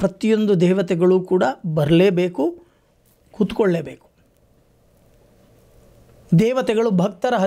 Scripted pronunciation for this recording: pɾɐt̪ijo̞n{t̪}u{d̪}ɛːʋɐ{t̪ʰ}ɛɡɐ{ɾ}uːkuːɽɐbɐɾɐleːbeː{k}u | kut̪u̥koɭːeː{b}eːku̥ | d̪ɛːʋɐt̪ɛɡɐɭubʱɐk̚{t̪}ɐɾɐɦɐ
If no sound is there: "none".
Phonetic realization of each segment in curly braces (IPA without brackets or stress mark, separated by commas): d̪, d̪, t̪, ɭ, k, b, t̪